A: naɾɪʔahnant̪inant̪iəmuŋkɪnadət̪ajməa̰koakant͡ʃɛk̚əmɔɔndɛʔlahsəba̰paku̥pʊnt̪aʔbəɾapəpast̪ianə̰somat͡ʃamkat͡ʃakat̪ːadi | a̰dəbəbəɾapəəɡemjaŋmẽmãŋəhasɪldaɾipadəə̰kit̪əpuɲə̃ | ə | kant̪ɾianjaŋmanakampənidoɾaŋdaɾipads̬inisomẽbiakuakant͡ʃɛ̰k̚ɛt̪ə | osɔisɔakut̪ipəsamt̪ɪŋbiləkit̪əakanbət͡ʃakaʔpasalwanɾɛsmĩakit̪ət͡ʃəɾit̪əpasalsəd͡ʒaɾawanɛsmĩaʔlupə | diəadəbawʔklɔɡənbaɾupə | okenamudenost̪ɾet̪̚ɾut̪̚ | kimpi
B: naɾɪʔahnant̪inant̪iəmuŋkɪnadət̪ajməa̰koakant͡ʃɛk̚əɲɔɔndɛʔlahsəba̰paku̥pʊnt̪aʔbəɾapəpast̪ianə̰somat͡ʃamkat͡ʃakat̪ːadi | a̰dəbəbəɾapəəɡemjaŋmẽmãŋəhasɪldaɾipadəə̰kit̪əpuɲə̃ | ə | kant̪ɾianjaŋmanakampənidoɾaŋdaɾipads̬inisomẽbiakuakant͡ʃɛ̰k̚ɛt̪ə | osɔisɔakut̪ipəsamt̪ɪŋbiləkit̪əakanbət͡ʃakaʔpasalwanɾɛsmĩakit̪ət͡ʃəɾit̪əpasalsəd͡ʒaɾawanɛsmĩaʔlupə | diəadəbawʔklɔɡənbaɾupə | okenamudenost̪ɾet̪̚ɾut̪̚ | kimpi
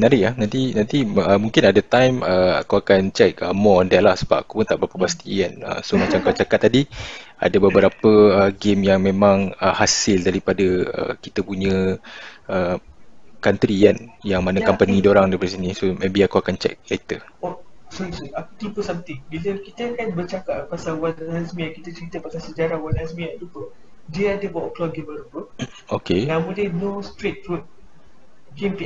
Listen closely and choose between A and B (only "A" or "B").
A